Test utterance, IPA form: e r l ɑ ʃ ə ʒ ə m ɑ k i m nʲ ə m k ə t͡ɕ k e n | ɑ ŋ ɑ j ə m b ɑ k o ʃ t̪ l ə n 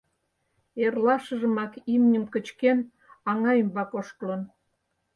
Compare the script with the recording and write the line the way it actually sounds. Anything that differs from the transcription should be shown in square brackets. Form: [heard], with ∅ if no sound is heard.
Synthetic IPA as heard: e r l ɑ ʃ ə ʒ ə m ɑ k i m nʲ ə m k ə t͡ɕ k e n | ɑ ŋ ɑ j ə m b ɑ k o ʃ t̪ l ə n